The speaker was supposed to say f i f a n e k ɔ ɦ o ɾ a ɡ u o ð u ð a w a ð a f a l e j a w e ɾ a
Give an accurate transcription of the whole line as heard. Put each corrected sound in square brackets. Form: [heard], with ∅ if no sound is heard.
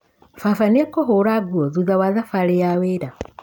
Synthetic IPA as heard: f [a] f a n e k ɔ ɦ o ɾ a ɡ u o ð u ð a w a ð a f a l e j a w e ɾ a

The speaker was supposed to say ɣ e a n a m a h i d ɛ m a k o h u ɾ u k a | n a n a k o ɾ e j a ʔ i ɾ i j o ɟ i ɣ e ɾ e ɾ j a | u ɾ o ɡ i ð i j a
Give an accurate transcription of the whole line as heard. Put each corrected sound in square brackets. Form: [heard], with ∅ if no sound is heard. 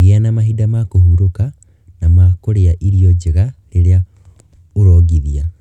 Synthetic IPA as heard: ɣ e a n a m a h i d [a] m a k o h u ɾ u k a | n a [m] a k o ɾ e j a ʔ i ɾ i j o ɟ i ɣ [a] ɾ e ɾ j a | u ɾ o ɡ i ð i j a

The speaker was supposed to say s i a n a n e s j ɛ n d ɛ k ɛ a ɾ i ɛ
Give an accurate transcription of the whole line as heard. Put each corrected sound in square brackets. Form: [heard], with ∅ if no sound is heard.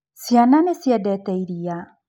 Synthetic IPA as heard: s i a n a n e s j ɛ [∅] d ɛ [t] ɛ [i] ɾ i [a]

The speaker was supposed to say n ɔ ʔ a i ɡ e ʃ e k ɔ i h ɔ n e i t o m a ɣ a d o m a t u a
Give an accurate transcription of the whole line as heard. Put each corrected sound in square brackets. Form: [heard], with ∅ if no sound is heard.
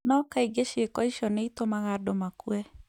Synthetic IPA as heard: n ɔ [k] a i ɡ e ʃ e k ɔ i [ʃ] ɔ n e i t o m a ɣ a d o m a [k] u [ɛ]

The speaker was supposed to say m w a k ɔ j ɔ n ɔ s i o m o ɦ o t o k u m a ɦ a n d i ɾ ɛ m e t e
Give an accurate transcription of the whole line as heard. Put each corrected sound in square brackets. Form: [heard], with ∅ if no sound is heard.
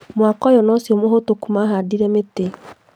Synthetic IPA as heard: m w a k ɔ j ɔ n ɔ s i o m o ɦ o t o k u m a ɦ a [∅] d i ɾ ɛ m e t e

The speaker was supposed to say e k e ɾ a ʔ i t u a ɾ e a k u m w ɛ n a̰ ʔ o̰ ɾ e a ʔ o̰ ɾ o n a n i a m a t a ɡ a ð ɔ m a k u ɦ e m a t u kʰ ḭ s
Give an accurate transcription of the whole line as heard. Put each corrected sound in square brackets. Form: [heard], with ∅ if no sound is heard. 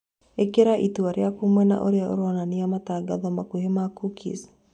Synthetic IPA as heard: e k e ɾ a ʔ i t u a ɾ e a k u m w ɛ n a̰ ʔ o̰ ɾ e a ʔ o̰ ɾ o n a n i a m a t a ɡ a ð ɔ m a k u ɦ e m a [k] u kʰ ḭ s

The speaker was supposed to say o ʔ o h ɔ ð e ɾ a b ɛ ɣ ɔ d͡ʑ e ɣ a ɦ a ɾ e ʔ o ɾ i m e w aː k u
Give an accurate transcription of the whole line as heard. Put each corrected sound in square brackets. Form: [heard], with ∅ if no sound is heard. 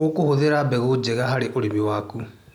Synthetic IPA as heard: o [k] o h [o] ð e ɾ a b ɛ ɣ [o] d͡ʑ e ɣ a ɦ a ɾ e ʔ o ɾ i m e w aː k u

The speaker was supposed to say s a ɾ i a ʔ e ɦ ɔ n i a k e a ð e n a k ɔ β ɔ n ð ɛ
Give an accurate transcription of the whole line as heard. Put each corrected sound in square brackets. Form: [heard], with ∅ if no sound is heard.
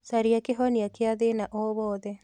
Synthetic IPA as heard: s a ɾ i a [k] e ɦ ɔ n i a k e a ð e n a [ʔ] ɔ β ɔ [∅] ð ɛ

